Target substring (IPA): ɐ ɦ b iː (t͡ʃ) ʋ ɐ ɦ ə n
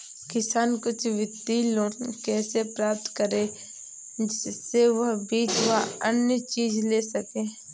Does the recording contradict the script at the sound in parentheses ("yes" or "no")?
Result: no